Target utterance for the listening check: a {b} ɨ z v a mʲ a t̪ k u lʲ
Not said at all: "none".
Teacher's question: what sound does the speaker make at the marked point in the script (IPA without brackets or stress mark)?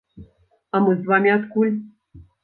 m